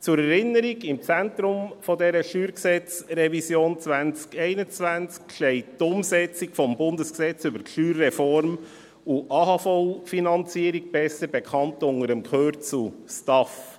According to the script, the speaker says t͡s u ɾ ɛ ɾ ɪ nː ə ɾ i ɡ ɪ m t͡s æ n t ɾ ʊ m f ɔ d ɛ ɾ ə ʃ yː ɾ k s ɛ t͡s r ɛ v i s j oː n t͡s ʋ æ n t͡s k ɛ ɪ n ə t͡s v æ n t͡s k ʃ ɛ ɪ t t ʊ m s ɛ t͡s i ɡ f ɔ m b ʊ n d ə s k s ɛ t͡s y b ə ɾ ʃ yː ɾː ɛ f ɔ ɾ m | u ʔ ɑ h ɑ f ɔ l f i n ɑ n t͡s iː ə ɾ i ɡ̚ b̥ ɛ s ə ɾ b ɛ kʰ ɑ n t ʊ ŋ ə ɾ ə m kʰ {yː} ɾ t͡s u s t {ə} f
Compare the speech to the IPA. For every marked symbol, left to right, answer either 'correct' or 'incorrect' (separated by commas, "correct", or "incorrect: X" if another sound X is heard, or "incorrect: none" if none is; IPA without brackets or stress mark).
incorrect: øː, incorrect: ɑ